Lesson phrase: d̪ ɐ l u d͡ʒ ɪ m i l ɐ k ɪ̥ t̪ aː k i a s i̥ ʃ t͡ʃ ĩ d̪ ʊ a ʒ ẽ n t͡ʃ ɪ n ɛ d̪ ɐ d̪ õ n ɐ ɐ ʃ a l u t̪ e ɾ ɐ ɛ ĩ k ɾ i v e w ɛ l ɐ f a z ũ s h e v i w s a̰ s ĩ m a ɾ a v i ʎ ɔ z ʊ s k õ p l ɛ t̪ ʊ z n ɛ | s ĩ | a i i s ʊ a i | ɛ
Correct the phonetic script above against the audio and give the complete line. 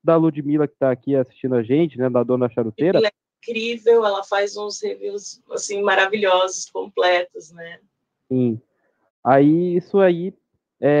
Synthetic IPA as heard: d̪ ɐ l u d͡ʒ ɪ m i l ɐ k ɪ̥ t̪ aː k i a s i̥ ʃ t͡ʃ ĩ d̪ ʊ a ʒ ẽ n t͡ʃ ɪ n ɛ d̪ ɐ d̪ õ n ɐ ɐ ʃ a ɾ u t̪ e ɾ ɐ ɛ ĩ k ɾ i v e w ɛ l ɐ f a z ũ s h e v i w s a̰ s ĩ m a ɾ a v i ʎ ɔ z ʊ s k õ p l ɛ t̪ ʊ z n ɛ | s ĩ | a i i s ʊ a i | ɛ